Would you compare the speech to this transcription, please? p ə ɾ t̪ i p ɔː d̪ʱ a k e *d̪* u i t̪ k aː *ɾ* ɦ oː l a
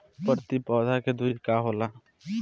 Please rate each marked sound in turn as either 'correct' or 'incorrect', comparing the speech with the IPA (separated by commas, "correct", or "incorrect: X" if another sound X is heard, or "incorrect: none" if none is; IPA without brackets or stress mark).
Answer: correct, incorrect: none